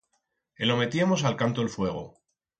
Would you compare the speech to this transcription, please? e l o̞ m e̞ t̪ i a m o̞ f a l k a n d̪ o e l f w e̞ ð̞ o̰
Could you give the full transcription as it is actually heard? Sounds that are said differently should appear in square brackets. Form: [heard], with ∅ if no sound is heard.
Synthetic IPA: e l o̞ m e̞ t̪ i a m o̞ [s] a l k a n [t̪] o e l f w e̞ [ɣ̞] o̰